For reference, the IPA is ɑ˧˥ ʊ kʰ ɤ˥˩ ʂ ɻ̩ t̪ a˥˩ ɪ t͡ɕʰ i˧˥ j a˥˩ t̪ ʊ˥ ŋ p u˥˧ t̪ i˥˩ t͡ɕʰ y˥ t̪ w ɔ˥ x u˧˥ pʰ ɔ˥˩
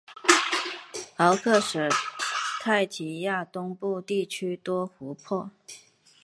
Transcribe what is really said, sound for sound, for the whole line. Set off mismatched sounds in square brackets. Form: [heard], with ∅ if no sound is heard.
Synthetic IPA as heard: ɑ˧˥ ʊ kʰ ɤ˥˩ ʂ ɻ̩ [t̪ʰ] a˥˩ ɪ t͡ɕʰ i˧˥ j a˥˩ t̪ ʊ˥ ŋ p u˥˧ t̪ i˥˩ t͡ɕʰ y˥ t̪ w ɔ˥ x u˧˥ pʰ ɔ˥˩